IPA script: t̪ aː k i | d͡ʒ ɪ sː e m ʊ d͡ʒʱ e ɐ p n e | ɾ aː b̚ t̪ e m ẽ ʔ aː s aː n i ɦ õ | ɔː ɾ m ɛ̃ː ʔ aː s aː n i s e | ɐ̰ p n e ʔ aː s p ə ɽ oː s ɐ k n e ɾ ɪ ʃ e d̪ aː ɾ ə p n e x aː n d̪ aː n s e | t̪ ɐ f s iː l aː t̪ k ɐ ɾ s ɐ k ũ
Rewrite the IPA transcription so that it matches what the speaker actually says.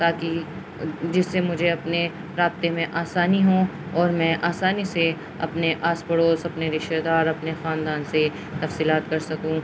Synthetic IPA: t̪ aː k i | d͡ʒ ɪ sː e m ʊ d͡ʒʱ e ɐ p n e | ɾ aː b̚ t̪ e m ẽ ʔ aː s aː n i ɦ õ | ɔː ɾ m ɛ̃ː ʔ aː s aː n i s e | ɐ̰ p n e ʔ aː s p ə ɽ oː s ɐ p n e ɾ ɪ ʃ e d̪ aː ɾ ɐ p n e x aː n d̪ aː n s e | t̪ ɐ f s iː l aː t̪ k ɐ ɾ s ɐ k ũ